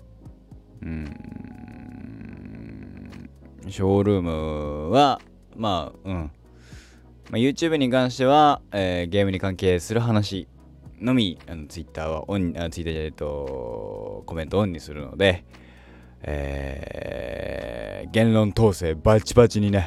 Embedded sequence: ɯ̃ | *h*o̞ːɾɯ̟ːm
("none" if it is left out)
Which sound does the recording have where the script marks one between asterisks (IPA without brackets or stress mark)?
ɕ